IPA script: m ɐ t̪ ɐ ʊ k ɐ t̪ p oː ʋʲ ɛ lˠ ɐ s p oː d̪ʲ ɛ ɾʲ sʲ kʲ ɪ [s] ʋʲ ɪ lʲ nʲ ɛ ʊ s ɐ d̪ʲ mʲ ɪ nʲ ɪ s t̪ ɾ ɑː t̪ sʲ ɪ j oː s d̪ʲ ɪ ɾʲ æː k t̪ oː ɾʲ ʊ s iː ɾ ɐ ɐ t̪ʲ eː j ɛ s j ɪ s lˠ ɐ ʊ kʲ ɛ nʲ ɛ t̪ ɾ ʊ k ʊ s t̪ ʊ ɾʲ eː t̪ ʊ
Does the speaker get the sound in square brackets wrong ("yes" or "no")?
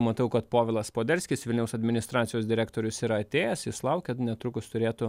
no